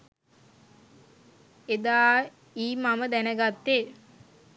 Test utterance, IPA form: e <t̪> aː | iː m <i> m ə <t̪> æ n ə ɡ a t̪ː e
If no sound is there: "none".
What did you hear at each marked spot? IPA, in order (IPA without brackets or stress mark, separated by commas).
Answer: d̪, a, d̪